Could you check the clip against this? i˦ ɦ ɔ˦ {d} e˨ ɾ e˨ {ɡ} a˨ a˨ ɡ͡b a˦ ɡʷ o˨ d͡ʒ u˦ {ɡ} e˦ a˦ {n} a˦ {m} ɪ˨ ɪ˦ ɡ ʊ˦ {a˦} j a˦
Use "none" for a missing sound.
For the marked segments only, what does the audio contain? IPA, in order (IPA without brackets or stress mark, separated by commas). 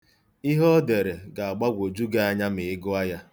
d, ɡ, ɡ, ɲ, m, a˦